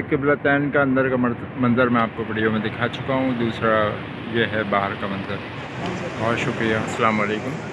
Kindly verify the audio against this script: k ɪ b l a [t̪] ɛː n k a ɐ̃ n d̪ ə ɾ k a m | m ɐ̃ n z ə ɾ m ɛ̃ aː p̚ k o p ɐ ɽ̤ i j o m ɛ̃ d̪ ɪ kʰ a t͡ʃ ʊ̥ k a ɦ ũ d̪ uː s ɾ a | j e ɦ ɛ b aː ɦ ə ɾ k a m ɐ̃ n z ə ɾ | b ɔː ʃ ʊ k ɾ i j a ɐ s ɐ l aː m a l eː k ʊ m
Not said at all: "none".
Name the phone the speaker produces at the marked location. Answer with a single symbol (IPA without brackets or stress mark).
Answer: t̪